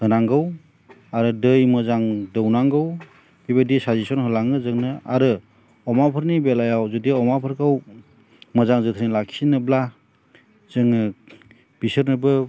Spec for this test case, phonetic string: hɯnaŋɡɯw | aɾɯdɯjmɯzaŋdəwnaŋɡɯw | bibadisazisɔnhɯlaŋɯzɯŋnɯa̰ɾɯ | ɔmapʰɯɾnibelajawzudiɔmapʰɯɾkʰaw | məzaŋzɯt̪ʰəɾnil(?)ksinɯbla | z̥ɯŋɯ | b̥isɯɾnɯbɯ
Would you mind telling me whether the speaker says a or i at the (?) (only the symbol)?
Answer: a